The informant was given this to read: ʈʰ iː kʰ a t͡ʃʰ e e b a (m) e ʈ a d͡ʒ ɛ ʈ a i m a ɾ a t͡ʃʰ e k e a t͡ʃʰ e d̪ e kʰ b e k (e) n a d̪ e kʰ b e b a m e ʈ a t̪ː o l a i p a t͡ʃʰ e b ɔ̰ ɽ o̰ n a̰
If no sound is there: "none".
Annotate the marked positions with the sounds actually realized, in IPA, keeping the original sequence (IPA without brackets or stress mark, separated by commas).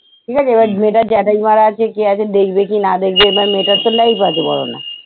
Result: m, i